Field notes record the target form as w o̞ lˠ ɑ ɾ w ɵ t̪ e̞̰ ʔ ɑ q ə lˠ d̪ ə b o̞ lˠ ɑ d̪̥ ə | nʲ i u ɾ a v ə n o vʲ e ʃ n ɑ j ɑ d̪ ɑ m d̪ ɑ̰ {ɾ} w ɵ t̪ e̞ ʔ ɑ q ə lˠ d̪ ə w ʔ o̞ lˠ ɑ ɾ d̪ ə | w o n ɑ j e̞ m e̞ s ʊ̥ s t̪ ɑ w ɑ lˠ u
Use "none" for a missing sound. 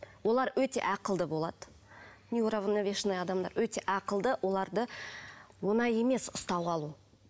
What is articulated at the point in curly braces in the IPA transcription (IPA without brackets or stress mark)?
ɾ